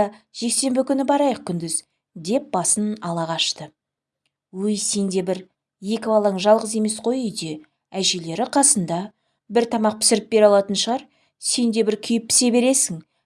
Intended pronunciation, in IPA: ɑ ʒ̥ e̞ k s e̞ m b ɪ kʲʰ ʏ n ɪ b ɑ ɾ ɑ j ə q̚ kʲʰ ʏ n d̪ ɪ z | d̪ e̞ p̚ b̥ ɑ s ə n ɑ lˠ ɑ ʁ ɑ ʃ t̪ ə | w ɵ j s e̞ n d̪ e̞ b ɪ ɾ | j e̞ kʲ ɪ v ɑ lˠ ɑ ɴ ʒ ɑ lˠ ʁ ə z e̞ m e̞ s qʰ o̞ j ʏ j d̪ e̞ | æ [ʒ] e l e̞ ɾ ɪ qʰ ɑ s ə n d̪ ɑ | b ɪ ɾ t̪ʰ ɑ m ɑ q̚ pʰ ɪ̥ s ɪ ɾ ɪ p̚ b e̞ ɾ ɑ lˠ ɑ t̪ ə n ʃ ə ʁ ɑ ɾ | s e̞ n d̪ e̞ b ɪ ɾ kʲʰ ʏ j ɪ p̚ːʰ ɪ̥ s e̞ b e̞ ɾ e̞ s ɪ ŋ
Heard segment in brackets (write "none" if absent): ʒ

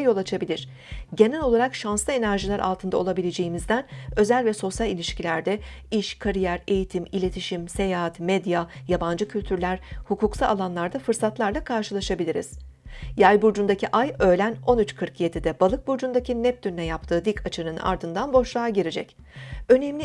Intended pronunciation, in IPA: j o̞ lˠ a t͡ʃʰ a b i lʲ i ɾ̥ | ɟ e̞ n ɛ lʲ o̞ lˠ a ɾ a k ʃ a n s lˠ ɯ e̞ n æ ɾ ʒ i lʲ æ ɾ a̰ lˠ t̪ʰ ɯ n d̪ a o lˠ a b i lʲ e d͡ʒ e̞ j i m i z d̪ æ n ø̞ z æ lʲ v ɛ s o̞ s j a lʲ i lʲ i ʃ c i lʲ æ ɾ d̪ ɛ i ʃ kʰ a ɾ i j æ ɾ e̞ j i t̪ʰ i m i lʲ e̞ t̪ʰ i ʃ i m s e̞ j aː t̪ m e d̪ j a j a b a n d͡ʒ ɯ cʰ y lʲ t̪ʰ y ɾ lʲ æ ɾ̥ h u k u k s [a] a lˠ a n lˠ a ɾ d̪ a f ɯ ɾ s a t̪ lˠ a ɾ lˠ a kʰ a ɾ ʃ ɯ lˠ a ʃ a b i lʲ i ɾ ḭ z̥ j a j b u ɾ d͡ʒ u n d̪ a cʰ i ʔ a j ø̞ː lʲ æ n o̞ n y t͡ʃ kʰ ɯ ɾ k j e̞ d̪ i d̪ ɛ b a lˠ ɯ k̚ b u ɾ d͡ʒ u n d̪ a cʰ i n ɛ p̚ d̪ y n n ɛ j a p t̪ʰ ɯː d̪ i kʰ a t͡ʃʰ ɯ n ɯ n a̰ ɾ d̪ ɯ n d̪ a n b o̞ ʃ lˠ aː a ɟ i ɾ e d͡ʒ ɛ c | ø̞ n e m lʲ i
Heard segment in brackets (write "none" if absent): a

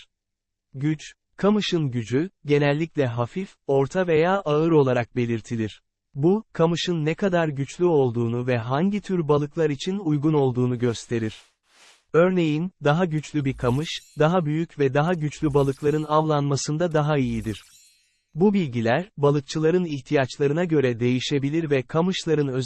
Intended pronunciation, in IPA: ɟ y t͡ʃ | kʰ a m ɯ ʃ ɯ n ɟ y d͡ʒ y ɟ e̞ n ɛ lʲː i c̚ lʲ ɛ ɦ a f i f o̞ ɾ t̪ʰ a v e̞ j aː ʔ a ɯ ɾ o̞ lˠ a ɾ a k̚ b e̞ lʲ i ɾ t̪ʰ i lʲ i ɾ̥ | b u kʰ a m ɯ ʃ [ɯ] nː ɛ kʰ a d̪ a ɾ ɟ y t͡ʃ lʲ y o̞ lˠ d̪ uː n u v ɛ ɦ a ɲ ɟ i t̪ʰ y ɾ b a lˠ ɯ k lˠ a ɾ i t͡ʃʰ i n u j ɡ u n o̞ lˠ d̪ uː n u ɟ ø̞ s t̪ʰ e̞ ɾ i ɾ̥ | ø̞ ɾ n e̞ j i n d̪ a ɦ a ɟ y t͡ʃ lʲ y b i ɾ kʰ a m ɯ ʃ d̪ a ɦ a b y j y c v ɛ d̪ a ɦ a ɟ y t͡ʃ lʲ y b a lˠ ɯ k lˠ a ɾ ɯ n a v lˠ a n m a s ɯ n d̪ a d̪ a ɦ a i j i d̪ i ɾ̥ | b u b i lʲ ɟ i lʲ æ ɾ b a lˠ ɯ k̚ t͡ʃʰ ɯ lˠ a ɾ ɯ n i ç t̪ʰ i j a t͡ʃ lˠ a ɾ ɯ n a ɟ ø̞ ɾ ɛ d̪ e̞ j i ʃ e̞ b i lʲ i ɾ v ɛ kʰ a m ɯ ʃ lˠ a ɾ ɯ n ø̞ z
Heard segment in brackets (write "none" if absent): ɯ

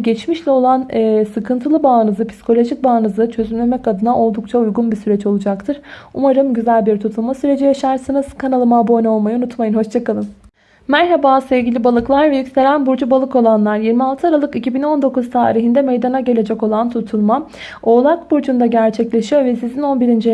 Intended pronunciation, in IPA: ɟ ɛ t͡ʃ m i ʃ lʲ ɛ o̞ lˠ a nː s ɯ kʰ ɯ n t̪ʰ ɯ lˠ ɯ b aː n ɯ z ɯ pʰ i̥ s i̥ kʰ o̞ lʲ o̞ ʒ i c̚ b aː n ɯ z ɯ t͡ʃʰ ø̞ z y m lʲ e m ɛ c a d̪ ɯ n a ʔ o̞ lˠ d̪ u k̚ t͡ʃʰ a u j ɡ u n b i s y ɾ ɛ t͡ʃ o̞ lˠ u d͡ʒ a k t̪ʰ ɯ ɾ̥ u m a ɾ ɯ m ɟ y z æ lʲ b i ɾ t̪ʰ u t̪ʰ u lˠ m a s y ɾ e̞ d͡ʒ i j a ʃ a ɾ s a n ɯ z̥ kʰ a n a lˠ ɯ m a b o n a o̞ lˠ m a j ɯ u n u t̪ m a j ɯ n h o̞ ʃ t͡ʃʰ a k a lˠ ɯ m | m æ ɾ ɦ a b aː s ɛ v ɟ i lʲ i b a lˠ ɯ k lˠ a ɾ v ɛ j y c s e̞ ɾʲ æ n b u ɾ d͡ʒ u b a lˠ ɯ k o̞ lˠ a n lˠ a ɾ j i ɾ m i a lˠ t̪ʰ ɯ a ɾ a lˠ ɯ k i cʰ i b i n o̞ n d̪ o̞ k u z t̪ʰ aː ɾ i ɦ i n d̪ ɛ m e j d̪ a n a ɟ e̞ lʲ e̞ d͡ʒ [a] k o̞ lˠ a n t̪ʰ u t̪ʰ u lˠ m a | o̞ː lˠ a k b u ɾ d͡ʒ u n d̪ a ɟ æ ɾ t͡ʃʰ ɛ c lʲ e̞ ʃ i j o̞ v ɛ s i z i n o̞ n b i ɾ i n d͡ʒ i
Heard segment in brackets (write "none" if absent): ɛ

